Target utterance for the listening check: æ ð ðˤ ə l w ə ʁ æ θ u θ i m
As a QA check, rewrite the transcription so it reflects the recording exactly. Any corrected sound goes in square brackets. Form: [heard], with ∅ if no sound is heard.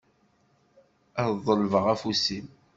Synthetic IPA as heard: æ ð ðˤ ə l [v] ə ʁ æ [f] u [s] i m